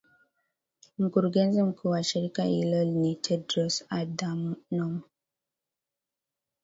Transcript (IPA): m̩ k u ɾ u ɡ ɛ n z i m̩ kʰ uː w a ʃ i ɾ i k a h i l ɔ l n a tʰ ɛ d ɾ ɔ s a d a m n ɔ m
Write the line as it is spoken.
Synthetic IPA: m̩ k u ɾ u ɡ ɛ n z i m̩ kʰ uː w a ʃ i ɾ i k a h i l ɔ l n i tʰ ɛ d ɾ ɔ s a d a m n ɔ m